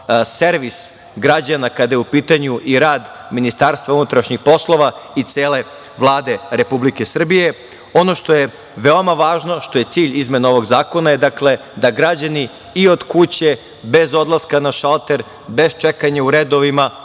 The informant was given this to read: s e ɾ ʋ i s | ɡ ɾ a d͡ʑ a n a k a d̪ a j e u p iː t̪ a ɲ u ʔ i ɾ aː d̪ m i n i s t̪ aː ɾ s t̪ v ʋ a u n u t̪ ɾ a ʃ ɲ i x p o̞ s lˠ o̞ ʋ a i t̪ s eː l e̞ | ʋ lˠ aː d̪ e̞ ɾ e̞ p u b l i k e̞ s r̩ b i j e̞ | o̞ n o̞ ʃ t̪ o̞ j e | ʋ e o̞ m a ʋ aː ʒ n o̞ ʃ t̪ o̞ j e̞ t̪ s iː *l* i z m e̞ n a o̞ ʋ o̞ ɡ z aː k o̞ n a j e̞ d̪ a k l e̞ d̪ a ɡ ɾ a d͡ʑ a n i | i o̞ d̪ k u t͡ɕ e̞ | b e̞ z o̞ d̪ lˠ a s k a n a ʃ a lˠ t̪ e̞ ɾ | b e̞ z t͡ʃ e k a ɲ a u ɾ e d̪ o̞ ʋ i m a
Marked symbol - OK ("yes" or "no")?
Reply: no